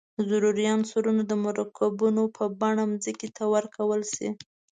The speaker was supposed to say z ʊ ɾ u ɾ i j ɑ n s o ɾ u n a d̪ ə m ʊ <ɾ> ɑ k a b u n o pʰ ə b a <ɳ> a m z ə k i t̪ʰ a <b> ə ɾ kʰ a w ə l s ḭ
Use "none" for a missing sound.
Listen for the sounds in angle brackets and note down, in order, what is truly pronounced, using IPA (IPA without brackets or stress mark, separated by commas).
ɾ, ɳ, w